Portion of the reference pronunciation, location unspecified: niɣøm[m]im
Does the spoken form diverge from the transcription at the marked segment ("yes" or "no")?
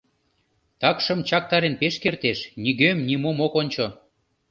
yes